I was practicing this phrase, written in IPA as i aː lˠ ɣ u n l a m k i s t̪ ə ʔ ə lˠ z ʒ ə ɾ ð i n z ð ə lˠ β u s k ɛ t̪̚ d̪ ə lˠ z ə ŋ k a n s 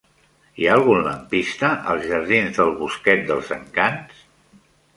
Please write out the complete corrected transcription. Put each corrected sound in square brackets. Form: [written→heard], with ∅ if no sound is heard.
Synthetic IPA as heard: i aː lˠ ɣ u n l [a→ə] m [k→p] i s t̪ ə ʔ ə lˠ z ʒ ə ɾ ð i n z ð ə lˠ β u s k ɛ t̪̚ d̪ ə lˠ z ə ŋ k a n s